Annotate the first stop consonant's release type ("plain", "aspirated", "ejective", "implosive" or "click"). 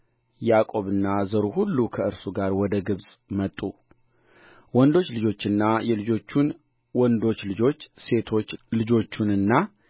ejective